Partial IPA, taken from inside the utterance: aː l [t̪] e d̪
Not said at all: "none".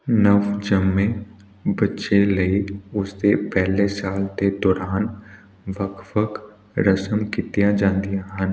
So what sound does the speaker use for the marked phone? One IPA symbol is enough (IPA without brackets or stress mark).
t̪